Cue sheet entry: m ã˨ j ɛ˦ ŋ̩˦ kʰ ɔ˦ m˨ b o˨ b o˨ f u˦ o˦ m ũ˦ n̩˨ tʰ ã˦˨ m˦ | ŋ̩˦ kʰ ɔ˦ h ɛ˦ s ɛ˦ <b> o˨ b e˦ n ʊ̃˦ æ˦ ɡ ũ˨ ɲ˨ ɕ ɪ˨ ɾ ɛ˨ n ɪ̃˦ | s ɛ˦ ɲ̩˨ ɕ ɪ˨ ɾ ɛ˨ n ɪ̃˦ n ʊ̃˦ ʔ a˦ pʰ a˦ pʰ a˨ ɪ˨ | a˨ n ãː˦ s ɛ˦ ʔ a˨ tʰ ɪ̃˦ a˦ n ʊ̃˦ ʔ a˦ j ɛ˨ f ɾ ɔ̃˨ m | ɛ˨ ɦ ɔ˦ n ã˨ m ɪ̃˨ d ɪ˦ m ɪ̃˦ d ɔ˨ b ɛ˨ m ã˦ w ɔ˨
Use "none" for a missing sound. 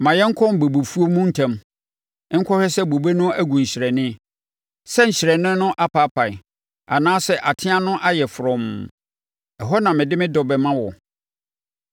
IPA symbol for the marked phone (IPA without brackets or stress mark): b